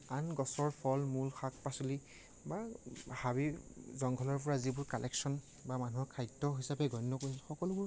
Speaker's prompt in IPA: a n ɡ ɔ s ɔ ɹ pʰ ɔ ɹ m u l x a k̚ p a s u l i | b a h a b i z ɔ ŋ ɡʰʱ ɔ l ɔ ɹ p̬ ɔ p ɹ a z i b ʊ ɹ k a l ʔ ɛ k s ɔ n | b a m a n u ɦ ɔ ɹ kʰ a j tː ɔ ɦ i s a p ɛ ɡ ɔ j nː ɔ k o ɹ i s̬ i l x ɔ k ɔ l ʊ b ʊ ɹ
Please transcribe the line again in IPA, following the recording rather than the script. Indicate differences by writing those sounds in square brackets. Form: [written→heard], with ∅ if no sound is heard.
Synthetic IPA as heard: a n ɡ ɔ s ɔ ɹ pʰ ɔ [ɹ→l] m u l x a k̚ p a s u l i | b a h a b i z ɔ ŋ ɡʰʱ ɔ l ɔ ɹ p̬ ɔ [p→∅] ɹ a z i b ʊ ɹ k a l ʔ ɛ k s ɔ n | b a m a n u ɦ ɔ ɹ kʰ a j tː ɔ ɦ i s a p ɛ ɡ ɔ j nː ɔ k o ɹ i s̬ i l x ɔ k ɔ l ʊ b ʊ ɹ

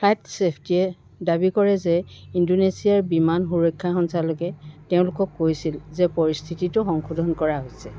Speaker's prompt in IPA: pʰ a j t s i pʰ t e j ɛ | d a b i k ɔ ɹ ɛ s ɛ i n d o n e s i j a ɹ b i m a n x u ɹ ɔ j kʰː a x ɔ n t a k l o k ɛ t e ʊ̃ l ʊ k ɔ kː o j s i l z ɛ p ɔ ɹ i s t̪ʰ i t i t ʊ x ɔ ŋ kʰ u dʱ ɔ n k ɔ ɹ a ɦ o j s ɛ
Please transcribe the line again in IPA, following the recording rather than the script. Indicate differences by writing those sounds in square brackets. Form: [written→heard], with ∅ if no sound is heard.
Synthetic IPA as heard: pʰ a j t s [i→e] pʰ t [e→i] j ɛ | d a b i k ɔ ɹ ɛ [s→z] ɛ i n d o n e s i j a ɹ b i m a n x u ɹ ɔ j kʰː a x ɔ n [t→s] a [k→∅] l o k ɛ t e ʊ̃ l ʊ k ɔ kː o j s i l z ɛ p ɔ ɹ i s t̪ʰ i t i t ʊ x ɔ ŋ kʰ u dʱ ɔ n k ɔ ɹ a ɦ o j s ɛ

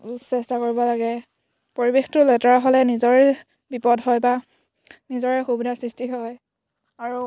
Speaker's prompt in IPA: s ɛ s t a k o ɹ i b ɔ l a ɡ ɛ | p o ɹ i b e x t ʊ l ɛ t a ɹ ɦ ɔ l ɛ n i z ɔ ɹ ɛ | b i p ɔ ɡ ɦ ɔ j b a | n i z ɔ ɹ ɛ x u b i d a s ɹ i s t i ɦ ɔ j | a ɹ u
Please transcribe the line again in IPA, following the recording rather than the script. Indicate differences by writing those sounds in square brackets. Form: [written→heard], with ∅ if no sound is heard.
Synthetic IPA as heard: s ɛ s t a k o ɹ i b ɔ l a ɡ ɛ | p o ɹ i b e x t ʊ l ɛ t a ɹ ɦ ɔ l ɛ n i z ɔ ɹ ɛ | b i p ɔ [ɡ→d] ɦ ɔ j b a | n i z ɔ ɹ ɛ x u b i d a s ɹ i s t i ɦ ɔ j | a ɹ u

